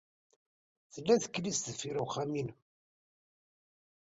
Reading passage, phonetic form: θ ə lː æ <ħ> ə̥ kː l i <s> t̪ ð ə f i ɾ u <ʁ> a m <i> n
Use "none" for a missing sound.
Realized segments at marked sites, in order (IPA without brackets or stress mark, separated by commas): θ, s, χ, i